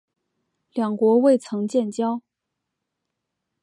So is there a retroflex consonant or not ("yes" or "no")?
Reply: no